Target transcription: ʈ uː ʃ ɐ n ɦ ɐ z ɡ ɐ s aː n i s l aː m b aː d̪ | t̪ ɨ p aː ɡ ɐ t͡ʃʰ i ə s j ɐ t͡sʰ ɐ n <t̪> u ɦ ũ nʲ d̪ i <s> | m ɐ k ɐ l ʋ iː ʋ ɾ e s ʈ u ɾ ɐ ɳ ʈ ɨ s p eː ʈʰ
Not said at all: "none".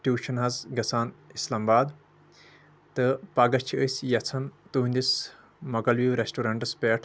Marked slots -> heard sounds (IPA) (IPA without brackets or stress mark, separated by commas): t̪, s